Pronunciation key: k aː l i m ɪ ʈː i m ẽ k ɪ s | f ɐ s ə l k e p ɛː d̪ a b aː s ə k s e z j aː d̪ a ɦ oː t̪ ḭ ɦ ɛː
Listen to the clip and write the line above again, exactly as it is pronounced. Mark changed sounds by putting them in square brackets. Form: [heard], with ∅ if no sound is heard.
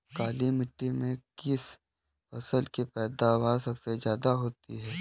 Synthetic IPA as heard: k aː l i m ɪ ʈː i m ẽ k ɪ s | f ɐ s ə l k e p ɛː d̪ a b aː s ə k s e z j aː d̪ a ɦ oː t̪ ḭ ɦ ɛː